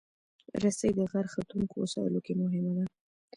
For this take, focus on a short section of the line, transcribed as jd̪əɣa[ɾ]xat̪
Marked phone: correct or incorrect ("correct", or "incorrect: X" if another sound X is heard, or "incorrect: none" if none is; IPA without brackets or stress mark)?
correct